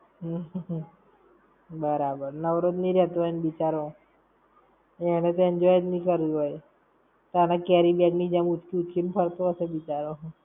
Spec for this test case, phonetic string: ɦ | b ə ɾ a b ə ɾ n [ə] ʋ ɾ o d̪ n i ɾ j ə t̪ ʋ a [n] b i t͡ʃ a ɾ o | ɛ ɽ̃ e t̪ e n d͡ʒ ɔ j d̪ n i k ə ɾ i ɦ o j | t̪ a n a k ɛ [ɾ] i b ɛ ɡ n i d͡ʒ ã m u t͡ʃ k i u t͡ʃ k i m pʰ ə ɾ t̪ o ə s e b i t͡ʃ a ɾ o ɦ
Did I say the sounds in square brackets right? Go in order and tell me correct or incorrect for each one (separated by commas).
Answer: correct, correct, correct